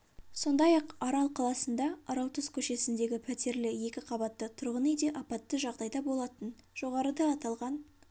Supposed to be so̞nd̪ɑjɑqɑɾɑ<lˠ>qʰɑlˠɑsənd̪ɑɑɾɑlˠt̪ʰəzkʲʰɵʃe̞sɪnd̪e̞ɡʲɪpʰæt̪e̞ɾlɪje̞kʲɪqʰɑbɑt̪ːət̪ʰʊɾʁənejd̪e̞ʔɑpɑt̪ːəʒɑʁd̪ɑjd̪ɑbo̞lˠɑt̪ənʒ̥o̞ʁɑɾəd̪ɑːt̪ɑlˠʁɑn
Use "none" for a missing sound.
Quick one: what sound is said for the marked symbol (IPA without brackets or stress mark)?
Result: lˠ